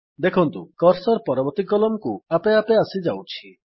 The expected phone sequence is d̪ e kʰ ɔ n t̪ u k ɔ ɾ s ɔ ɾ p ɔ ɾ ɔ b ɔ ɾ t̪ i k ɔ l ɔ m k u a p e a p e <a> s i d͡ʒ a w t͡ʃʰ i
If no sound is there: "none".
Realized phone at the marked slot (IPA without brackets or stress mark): a